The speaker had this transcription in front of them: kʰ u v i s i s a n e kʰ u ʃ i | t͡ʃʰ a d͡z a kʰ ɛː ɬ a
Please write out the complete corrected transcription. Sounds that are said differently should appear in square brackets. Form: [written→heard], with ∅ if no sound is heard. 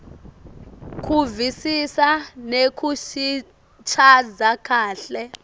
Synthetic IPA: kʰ u v i s i s a n e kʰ u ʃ i | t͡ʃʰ a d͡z a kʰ [ɛː→aː] ɬ [a→ɛ]